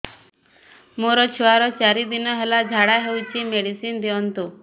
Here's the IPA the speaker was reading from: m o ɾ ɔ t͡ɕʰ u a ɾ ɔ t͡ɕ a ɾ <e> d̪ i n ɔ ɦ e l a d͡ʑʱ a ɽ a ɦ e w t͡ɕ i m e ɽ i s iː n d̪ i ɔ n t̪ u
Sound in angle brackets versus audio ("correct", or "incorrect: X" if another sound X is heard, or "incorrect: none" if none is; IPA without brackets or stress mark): incorrect: i